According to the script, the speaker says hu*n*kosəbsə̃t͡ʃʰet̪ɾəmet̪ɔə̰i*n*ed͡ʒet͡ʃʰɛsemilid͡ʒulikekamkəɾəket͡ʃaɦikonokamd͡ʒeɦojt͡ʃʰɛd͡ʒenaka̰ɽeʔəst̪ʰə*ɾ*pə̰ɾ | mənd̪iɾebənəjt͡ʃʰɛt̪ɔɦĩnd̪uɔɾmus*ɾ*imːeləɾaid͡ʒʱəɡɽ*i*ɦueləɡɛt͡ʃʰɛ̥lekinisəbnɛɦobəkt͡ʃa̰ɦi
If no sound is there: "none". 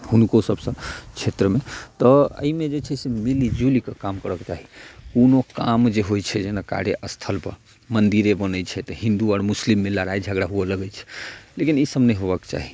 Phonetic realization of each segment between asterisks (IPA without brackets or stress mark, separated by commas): n, m, l, l, a